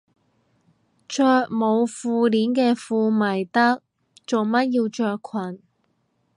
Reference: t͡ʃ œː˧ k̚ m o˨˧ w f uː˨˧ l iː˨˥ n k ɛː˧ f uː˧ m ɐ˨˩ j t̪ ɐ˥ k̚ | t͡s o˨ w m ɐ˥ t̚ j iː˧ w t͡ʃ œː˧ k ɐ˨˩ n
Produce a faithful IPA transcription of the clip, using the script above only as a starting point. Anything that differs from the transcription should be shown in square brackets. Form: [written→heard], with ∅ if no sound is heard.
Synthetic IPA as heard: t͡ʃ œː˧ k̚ m o˨˧ w f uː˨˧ l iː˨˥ n k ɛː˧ f uː˧ m ɐ˨˩ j t̪ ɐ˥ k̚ | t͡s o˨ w m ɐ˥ t̚ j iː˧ w t͡ʃ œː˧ [k→kʰ] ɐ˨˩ n